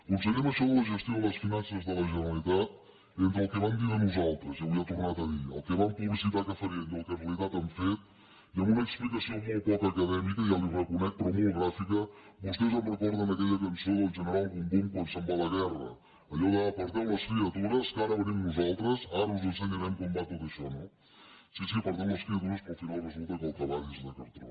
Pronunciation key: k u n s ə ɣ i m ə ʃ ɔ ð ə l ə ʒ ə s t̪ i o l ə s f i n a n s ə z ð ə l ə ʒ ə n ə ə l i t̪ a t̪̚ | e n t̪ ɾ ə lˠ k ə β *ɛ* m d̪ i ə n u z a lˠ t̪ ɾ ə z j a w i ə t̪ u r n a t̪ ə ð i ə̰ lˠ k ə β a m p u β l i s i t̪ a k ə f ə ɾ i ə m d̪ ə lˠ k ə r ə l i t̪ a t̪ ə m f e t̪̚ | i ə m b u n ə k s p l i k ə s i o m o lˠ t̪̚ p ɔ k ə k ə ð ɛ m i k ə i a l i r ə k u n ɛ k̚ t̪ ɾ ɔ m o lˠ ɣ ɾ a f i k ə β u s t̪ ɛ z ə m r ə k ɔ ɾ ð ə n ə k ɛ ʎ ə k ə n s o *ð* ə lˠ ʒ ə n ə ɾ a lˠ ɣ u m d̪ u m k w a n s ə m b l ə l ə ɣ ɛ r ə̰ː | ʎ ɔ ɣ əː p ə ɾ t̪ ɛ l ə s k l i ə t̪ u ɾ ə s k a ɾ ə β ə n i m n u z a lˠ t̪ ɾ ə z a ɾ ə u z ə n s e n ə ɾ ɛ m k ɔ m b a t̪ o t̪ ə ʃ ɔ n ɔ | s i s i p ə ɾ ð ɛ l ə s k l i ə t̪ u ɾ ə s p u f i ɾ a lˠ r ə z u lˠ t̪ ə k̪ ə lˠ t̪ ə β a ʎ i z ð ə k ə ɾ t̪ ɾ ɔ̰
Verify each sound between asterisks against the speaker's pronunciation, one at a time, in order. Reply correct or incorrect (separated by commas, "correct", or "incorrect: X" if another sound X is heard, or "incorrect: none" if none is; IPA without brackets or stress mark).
incorrect: a, correct